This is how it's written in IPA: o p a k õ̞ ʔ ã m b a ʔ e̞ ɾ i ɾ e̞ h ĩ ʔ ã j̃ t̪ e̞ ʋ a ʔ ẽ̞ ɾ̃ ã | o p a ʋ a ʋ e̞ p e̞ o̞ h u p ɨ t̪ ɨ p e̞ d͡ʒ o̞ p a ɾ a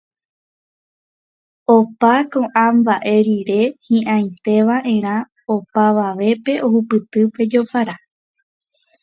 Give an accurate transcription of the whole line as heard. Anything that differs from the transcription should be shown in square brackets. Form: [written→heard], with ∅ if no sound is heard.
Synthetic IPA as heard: o p a k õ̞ ʔ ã m b a ʔ e̞ ɾ i ɾ e̞ h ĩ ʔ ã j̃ t̪ e̞ ʋ a ʔ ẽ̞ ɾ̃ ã | o p a ʋ a ʋ e̞ p e̞ o̞ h u p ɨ t̪ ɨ p e̞ d͡ʒ o̞ p a ɾ a